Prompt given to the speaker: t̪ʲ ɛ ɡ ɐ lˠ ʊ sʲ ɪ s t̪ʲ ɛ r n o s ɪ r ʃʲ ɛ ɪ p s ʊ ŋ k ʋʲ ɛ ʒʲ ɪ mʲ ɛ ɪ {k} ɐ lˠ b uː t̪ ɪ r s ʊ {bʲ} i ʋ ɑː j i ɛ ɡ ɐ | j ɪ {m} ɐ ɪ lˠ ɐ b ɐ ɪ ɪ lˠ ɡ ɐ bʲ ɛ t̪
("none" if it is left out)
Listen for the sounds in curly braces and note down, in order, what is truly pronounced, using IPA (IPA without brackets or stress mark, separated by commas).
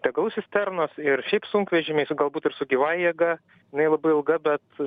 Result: ɡ, ɡʲ, n